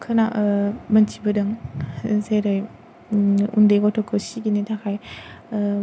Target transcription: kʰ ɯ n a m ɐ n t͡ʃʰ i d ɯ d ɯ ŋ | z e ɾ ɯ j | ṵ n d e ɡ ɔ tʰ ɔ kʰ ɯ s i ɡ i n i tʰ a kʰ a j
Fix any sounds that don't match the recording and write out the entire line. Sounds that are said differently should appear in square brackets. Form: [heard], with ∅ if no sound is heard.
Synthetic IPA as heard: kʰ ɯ n a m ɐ n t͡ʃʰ i [b] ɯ d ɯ ŋ | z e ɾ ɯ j | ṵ n d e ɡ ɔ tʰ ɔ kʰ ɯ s i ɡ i n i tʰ a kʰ a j